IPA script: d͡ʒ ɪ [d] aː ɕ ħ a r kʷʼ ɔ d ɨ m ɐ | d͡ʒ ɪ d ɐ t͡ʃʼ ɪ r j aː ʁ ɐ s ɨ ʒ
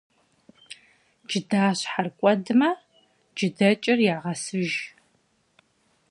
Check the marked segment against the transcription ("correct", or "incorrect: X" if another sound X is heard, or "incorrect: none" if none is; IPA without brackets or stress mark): correct